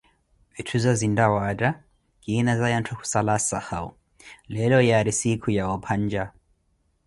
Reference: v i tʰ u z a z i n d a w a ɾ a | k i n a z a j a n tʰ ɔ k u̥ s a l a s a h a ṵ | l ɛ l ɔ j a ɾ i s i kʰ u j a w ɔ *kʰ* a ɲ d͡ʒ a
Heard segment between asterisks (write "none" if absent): pʰ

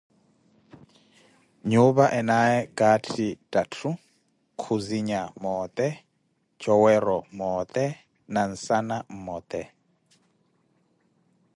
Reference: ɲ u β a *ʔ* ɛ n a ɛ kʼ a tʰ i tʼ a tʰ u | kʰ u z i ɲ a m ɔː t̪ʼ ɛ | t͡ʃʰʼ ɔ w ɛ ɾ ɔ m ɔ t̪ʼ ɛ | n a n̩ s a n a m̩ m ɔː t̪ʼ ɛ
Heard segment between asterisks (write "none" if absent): ʔ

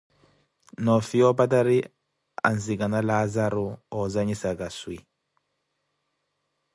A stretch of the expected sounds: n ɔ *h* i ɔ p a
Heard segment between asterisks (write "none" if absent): f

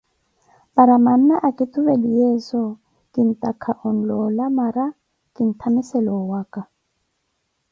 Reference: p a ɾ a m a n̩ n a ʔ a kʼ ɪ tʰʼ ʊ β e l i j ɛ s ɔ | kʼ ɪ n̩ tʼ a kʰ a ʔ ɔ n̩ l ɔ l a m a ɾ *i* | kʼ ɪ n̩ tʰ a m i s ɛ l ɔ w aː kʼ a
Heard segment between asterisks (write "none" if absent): a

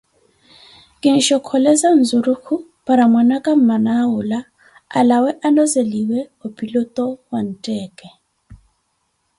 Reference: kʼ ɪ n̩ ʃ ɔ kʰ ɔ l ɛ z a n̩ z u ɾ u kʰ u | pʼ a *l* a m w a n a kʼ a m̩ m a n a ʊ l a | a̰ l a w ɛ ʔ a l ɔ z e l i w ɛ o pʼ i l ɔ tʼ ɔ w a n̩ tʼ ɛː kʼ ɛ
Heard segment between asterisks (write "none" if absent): ɾ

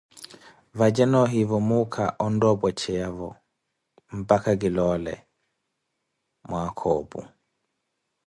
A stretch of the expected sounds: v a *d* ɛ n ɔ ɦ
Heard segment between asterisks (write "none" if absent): d͡ʒ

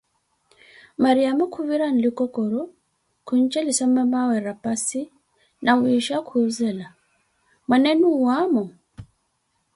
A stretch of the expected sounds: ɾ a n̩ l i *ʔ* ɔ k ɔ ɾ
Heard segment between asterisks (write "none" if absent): k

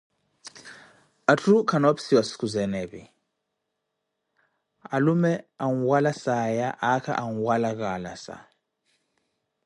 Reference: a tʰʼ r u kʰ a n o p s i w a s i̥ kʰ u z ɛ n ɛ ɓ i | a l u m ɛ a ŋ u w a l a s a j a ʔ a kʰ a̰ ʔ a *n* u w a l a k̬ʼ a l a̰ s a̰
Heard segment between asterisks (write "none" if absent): ŋ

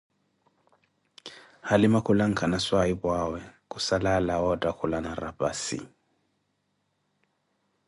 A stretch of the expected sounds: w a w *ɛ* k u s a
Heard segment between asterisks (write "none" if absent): ɛ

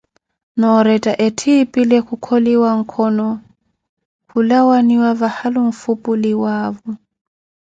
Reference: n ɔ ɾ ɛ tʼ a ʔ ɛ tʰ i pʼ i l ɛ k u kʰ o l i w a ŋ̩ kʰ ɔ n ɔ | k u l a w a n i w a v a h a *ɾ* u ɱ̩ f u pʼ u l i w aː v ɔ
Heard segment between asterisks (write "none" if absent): l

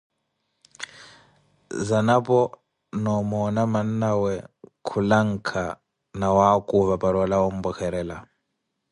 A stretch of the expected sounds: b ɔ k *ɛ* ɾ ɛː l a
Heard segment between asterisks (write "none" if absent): ɛ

